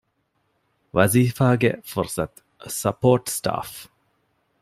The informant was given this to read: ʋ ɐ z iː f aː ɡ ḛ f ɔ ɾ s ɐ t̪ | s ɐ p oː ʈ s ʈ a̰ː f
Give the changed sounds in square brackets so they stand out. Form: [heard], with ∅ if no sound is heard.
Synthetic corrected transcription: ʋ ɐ z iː f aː ɡ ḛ f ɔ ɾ s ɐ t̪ | s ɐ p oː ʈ s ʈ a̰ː f